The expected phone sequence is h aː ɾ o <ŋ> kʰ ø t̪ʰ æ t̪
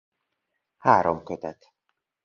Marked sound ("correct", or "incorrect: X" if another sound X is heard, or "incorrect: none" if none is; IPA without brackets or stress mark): incorrect: m